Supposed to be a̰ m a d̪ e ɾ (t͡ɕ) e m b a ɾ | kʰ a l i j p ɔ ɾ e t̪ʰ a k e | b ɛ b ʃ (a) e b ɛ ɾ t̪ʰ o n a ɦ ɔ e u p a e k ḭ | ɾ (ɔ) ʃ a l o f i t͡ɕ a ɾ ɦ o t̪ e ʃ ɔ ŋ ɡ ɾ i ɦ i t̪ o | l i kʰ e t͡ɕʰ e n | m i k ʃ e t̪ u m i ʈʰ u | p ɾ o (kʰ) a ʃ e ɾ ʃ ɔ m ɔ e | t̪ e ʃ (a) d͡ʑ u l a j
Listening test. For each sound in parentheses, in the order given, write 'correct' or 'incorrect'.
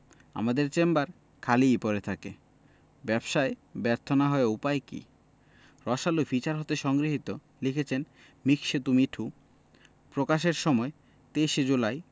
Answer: correct, correct, correct, incorrect, incorrect

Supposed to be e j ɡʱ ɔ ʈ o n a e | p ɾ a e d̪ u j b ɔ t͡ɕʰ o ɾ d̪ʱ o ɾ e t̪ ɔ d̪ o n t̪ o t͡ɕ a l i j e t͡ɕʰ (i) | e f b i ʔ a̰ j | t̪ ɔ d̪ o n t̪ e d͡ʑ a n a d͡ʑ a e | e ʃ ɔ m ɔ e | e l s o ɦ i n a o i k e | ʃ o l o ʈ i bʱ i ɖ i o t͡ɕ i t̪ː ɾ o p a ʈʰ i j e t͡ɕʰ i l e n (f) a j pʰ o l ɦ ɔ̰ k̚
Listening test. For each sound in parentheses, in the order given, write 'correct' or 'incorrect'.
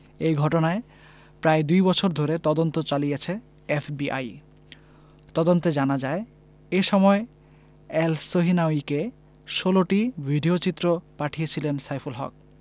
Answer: incorrect, incorrect

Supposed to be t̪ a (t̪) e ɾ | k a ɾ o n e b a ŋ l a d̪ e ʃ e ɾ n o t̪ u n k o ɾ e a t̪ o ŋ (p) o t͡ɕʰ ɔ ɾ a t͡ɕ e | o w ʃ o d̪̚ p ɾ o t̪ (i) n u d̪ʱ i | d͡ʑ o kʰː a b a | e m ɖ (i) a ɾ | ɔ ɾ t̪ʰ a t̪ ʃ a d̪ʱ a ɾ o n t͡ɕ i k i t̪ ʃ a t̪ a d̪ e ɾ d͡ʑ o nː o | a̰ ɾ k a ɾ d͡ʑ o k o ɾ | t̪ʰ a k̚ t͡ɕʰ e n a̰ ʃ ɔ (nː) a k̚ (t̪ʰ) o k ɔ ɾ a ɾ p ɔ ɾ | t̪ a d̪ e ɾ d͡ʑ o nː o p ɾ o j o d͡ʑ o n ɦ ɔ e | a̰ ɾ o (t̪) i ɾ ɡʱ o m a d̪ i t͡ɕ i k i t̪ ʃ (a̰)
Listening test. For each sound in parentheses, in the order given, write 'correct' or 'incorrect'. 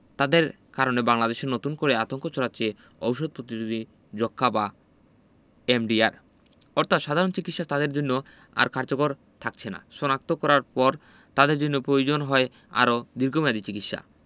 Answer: incorrect, incorrect, correct, correct, incorrect, incorrect, incorrect, correct

